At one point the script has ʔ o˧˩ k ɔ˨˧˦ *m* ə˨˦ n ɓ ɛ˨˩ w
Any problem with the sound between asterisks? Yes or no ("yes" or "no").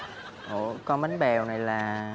no